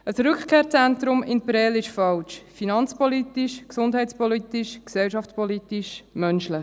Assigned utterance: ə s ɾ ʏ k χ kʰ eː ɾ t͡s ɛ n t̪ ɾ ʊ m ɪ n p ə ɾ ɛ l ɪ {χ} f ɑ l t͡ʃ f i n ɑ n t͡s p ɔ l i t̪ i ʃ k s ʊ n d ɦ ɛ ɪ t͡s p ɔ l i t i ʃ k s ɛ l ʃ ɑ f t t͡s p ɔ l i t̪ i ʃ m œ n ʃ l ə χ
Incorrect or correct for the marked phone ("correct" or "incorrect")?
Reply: incorrect